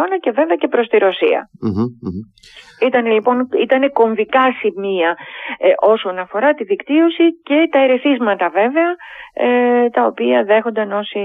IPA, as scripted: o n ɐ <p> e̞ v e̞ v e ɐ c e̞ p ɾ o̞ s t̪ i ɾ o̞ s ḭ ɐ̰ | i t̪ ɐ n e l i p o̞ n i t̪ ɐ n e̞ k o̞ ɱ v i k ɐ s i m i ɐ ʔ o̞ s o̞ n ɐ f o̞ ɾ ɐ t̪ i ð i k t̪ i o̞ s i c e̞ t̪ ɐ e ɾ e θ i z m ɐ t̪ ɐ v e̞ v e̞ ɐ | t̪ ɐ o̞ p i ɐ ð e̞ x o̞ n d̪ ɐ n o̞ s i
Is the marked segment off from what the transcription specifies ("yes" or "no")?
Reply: yes